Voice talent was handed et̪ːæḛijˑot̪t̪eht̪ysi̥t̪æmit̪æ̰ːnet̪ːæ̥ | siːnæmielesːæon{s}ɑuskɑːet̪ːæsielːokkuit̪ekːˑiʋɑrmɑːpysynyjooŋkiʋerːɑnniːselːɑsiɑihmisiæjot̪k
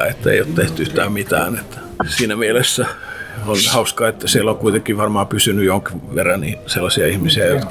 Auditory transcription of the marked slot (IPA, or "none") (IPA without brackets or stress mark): h